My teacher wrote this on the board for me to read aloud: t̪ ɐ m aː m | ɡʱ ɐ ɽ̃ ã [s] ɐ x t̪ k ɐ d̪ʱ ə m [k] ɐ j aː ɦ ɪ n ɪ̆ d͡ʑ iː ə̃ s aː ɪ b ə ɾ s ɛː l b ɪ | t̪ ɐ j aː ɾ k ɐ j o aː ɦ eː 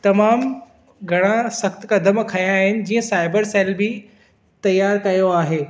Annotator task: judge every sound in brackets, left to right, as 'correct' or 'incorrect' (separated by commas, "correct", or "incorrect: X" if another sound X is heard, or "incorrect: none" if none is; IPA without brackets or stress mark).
correct, incorrect: kʰ